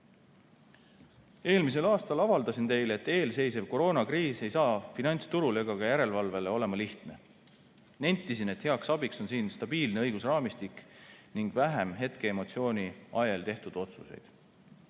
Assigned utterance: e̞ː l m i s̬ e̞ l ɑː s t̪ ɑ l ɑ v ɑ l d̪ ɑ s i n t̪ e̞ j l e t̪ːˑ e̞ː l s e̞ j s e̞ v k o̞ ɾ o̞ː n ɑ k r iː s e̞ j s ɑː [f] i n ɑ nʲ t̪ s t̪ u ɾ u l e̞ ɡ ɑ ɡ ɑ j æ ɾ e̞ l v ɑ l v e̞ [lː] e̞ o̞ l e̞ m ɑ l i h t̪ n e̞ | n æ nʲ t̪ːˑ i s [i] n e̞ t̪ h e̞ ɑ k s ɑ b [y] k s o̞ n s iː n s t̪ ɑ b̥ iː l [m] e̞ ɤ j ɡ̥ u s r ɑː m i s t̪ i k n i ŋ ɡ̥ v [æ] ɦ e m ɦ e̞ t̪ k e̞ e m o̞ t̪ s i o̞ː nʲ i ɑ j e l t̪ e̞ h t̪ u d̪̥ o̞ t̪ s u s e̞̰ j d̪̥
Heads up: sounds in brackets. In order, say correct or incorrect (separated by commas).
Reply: correct, incorrect, correct, incorrect, incorrect, correct